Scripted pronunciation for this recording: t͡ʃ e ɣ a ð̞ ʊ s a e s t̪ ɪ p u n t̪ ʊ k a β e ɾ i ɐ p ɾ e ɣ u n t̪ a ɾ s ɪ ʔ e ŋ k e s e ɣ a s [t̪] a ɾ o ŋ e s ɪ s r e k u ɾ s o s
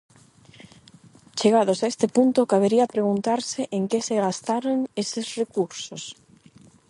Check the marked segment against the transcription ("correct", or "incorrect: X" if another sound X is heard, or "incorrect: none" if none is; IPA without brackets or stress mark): correct